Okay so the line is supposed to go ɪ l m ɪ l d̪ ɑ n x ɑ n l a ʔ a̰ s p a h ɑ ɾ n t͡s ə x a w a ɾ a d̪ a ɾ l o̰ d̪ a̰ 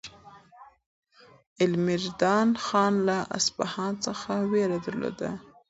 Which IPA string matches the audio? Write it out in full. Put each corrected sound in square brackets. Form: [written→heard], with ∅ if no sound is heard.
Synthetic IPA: ɪ l m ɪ [l→ɾ] d̪ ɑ n x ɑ n l a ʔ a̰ s p a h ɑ [ɾ→∅] n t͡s ə x a w [a→e] ɾ a d̪ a ɾ l o̰ d̪ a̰

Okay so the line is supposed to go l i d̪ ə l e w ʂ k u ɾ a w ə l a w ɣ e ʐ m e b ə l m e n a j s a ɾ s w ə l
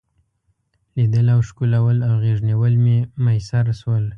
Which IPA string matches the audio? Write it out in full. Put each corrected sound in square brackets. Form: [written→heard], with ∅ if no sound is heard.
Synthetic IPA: l i d̪ ə l [e→a] w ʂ k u [ɾ→l] a w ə l a w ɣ e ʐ [m→n] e [b→w] ə l m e [n→m] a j s a ɾ s w ə l

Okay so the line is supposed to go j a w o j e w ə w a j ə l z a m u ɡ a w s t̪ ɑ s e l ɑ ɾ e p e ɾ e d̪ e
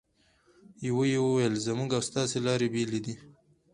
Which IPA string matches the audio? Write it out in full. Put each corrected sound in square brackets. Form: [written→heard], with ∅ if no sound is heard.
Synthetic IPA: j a w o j e w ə w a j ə l z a m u ɡ a w s t̪ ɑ s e l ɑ ɾ e [p→b] e [ɾ→l] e d̪ [e→i]

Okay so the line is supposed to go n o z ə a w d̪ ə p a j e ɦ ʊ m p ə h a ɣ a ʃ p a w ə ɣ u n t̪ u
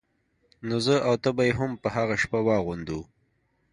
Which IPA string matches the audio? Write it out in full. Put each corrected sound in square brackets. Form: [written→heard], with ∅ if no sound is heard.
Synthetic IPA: n o z ə a w [d̪→t̪] ə [p→b] a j e ɦ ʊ m p ə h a ɣ a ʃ p a w [ə→ɑ] ɣ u n [t̪→d̪] u

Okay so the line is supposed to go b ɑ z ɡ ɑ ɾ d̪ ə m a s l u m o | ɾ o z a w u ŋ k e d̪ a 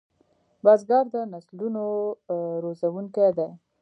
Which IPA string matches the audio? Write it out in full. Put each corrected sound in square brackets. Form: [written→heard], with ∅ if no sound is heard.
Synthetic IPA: b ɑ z ɡ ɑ ɾ d̪ ə [m→n] a s l u [m→n] o | ɾ o z a w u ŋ k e d̪ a

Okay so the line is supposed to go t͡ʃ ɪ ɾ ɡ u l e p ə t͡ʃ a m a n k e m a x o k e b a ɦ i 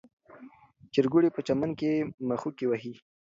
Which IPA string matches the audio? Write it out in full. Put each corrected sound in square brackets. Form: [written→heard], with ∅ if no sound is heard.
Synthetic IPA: t͡ʃ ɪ ɾ ɡ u [l→ɽ] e p ə t͡ʃ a m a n k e m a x [o→u] k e [b→w] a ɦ i

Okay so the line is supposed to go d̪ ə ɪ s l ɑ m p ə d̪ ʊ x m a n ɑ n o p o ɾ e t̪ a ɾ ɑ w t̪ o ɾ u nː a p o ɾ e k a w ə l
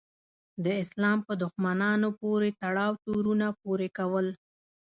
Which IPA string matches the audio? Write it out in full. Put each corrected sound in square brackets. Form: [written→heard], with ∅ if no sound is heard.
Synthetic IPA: d̪ ə ɪ s l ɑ m p ə d̪ ʊ x m a n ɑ n o p o ɾ e t̪ a [ɾ→ɽ] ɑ w t̪ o ɾ u [nː→n] a p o ɾ e k a w ə l

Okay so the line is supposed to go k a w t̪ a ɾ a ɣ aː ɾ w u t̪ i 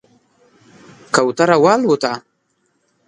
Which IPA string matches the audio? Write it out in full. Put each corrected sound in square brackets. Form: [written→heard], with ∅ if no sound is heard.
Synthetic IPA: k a w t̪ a ɾ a [ɣ→w] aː [ɾ→l] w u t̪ [i→a]

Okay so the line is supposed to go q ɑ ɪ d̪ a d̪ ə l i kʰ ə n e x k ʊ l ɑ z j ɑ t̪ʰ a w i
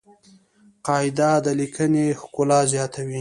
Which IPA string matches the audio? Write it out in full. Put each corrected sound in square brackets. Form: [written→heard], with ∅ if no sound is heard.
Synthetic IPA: q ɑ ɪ d̪ a d̪ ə l i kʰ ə n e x k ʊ l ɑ z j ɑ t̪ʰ a w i

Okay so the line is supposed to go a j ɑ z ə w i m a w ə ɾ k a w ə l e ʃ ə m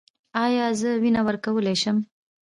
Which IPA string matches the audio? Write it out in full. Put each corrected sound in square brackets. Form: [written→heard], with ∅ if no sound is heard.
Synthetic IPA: [a→ɑ] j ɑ z ə w i [m→n] a w ə ɾ k a w ə l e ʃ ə m

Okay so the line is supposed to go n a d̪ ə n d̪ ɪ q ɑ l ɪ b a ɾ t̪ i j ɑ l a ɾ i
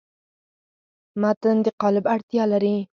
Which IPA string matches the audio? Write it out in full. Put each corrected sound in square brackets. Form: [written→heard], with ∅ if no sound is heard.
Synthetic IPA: [n→m] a [d̪→t̪] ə n d̪ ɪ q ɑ l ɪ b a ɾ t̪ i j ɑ l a ɾ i

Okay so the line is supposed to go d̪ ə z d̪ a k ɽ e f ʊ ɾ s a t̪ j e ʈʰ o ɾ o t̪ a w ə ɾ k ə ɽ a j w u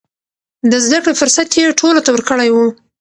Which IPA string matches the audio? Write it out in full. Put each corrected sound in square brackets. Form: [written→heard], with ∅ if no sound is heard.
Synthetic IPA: d̪ ə z d̪ a k ɽ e f ʊ ɾ s a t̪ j e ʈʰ o [ɾ→l] o t̪ a w ə ɾ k ə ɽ a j w u

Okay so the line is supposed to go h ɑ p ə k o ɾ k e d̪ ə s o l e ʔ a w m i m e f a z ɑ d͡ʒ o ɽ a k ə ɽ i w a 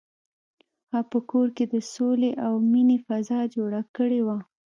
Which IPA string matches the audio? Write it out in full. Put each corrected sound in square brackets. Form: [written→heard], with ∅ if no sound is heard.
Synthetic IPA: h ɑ p ə k o ɾ k e d̪ ə s o l e ʔ a w m i [m→n] e f a z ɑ d͡ʒ o ɽ a k ə ɽ [i→e] w a

